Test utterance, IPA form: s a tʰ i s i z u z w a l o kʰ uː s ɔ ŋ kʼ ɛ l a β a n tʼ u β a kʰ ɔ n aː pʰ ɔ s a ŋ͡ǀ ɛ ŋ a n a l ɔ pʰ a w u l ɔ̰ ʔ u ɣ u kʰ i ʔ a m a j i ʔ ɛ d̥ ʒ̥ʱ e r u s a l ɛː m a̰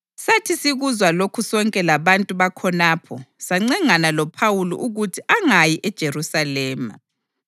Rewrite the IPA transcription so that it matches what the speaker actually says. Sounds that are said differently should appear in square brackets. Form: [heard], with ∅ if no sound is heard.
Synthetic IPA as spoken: s a tʰ i s i [ɣ] u z w a l o kʰ [u] s ɔ ŋ kʼ ɛ l a β a n tʼ u β a kʰ ɔ n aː pʰ ɔ s a ŋ͡ǀ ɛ ŋ a n a l ɔ pʰ a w u l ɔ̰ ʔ u ɣ u [tʰ] i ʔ a [ŋ] a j i ʔ ɛ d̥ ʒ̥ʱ e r u s a l ɛː m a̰